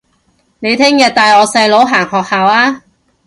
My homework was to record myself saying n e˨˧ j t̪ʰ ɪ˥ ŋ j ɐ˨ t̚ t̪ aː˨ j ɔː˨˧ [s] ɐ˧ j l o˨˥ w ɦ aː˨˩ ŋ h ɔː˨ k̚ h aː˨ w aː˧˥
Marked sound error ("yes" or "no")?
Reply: no